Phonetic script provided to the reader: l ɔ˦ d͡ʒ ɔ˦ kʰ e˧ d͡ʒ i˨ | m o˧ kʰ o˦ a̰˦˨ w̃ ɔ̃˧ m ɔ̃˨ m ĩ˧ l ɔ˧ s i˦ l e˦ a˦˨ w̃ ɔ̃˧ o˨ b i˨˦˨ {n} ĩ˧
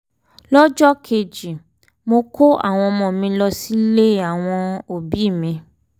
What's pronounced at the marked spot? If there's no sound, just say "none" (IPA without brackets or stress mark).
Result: m